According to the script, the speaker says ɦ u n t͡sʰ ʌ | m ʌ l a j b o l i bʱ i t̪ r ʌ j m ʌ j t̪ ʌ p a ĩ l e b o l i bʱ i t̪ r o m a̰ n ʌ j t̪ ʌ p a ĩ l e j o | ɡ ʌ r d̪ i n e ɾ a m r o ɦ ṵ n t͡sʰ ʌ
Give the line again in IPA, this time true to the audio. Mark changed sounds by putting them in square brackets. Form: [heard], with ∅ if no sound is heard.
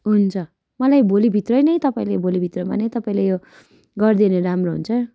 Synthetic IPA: ɦ u n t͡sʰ ʌ | m ʌ l a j b o l i bʱ i t̪ r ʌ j [n] ʌ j t̪ ʌ p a ĩ l e b o l i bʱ i t̪ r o m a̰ n ʌ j t̪ ʌ p a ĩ l e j o | ɡ ʌ r d̪ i n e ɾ a m r o ɦ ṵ n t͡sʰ ʌ